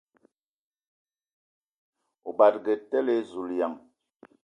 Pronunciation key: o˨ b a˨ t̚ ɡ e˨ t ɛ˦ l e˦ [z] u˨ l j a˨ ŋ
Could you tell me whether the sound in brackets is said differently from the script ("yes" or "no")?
no